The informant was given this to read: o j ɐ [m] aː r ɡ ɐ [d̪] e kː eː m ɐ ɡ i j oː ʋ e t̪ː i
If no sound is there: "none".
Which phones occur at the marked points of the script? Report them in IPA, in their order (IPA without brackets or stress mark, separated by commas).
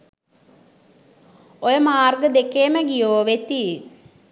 m, d̪